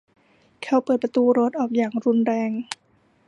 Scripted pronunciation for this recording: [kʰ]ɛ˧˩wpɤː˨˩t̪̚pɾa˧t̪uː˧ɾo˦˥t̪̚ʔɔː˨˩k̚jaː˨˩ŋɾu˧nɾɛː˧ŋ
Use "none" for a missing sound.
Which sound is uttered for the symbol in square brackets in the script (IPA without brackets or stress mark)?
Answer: kʰ